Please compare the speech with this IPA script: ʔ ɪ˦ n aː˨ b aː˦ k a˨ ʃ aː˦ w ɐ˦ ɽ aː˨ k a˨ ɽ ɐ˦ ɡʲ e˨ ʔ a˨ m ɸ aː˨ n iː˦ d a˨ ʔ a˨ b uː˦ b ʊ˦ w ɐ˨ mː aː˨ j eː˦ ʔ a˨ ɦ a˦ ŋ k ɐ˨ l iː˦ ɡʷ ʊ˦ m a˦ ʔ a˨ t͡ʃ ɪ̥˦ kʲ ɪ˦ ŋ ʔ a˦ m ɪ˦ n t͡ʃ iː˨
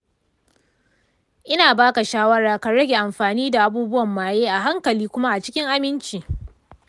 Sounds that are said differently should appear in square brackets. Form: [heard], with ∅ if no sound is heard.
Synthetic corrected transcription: ʔ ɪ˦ n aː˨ b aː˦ k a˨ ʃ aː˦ w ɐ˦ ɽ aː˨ k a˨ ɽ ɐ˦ ɡʲ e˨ ʔ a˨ m ɸ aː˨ n iː˦ d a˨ ʔ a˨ b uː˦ b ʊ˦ w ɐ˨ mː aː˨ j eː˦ ʔ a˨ ɦ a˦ ŋ k ɐ˨ l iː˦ [kʷ] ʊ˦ m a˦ ʔ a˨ t͡ʃ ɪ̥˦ kʲ ɪ˦ ŋ ʔ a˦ m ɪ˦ n t͡ʃ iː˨